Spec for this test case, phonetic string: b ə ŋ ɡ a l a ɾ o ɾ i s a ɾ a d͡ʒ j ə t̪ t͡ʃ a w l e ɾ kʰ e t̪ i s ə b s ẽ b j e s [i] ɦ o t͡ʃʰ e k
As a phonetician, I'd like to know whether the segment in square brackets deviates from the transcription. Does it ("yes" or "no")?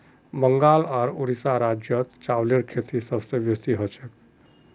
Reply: no